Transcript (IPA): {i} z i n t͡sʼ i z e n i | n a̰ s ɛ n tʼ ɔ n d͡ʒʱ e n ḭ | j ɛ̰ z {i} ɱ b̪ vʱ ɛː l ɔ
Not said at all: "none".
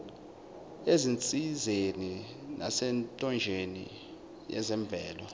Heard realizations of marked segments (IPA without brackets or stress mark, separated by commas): e, ɛ